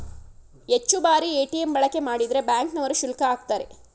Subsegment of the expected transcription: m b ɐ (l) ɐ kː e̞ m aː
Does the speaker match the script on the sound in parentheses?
no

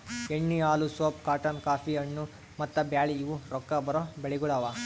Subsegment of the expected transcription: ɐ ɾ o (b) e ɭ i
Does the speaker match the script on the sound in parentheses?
yes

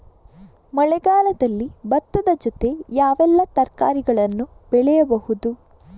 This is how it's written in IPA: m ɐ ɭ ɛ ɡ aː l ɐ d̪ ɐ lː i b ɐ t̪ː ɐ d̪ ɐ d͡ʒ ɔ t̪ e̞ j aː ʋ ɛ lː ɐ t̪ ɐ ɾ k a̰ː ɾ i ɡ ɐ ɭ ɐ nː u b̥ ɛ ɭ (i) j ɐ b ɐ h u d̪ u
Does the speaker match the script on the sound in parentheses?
no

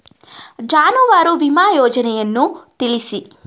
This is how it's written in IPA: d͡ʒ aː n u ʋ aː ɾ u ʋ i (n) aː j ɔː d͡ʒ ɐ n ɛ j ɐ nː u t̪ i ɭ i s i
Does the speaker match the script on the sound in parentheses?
no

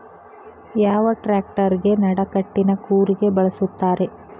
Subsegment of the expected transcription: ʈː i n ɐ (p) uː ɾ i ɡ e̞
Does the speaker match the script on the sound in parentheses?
no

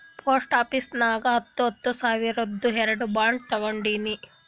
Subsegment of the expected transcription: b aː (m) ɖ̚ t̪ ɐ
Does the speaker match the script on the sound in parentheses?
no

